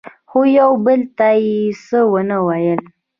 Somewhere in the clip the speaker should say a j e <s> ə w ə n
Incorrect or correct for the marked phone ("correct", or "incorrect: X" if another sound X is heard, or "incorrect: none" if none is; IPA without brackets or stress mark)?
correct